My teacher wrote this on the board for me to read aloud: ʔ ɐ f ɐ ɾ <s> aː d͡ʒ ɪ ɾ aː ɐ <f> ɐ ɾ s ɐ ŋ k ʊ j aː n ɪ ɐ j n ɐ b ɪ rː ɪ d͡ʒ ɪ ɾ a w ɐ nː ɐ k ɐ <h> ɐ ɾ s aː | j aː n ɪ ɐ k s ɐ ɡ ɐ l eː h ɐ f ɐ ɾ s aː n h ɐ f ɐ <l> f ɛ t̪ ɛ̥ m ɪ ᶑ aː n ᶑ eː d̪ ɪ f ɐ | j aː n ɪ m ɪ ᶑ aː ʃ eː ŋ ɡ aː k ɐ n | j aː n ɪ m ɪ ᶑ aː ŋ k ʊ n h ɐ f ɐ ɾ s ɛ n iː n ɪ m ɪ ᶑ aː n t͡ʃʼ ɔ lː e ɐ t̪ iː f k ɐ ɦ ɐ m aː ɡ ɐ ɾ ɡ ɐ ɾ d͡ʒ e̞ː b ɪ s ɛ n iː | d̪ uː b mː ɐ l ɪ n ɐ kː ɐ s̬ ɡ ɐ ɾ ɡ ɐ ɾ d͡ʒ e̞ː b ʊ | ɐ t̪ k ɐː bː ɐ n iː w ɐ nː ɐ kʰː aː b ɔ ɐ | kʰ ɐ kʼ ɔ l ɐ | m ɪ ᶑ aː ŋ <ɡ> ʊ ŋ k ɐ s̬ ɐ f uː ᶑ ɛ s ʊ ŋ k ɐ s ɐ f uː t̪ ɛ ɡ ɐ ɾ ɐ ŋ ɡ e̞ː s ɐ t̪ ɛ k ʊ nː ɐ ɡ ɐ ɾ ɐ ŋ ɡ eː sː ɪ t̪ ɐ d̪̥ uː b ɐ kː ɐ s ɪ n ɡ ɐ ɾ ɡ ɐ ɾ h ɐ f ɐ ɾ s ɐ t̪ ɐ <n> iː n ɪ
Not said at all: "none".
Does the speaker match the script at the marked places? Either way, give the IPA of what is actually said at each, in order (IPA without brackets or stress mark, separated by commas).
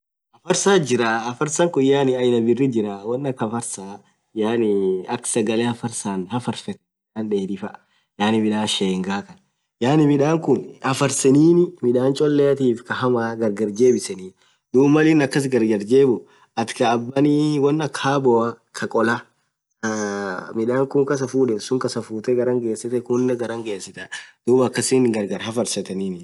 s, f, f, ɾ, k, n